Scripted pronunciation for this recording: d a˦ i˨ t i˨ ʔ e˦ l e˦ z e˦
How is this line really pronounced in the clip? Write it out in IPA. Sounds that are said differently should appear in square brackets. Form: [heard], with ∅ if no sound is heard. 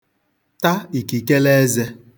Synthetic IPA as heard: [t] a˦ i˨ [k] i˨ [k] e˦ l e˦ z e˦